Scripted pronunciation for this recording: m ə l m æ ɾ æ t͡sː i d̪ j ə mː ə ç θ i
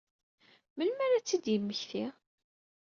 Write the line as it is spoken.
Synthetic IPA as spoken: m ə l m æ ɾ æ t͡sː i d̪ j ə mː ə ç θ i